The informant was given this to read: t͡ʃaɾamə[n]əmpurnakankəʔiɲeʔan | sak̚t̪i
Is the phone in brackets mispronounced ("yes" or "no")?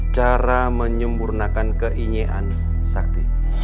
yes